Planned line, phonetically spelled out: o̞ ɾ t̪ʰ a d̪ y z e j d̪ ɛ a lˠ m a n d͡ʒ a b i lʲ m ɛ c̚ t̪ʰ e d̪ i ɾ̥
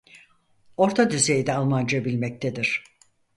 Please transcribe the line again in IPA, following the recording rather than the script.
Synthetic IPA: o̞ ɾ t̪ʰ a d̪ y z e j d̪ ɛ a lˠ m a n d͡ʒ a b i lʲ m ɛ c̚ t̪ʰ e d̪ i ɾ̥